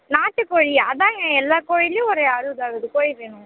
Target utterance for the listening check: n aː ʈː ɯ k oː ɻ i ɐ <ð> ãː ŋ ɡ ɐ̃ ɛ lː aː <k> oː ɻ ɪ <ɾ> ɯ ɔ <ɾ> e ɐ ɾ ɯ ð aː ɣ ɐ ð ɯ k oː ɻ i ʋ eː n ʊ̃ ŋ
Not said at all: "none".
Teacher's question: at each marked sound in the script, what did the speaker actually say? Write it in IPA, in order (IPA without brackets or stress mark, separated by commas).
ð, k, l, ɾ